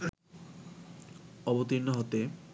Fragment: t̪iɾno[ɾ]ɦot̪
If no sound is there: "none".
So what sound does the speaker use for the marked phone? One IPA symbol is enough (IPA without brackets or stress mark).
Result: none